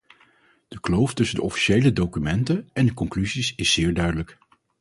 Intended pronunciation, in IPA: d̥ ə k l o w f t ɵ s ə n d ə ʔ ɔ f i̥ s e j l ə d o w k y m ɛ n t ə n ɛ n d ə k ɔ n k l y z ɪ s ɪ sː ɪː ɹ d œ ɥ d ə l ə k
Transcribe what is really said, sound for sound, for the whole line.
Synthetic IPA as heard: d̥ ə k l o w f t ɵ s ə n d ə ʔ ɔ f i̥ ʃ e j l ə d o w k y m ɛ n t ə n ɛ n d ə k ɔ ŋ k l y z i s ɪ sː ɪː ɹ d œ ɥ d ə l ə k